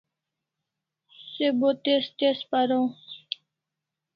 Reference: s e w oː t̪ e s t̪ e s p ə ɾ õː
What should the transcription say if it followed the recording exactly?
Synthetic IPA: s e b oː t̪ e s t̪ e s p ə ɾ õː